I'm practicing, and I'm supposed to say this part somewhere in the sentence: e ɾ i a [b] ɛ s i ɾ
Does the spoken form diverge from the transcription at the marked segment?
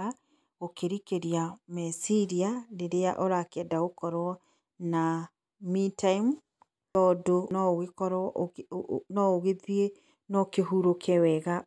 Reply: yes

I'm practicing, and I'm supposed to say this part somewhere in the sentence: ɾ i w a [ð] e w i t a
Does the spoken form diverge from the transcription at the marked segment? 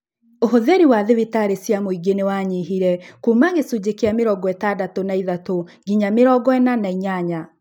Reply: no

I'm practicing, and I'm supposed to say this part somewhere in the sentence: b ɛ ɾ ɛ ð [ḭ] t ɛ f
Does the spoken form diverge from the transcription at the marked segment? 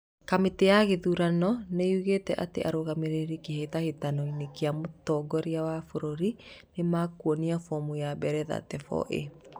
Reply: yes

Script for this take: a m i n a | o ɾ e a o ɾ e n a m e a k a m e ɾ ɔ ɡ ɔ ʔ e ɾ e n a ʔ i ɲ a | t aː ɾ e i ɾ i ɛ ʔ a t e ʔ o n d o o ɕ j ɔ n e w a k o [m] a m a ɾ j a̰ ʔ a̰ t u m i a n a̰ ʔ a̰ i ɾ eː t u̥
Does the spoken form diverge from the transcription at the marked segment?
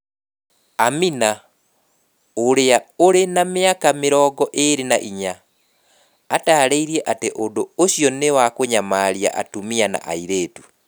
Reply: yes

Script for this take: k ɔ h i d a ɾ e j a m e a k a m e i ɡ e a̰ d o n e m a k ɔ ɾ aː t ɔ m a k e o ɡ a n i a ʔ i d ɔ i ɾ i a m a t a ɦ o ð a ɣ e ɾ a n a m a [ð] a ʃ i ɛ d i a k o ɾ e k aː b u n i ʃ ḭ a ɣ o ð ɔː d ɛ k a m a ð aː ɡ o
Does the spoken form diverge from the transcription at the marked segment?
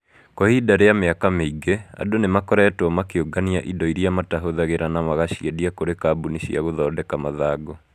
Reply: yes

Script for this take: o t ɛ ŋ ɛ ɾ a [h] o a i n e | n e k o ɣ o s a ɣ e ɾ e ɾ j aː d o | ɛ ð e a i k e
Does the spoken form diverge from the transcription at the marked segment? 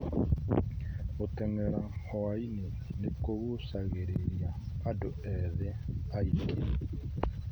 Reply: no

